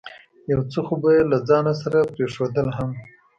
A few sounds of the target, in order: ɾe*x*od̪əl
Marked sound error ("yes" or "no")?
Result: yes